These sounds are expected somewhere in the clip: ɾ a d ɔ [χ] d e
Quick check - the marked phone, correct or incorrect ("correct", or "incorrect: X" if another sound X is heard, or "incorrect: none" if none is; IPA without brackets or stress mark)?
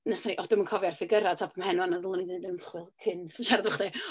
correct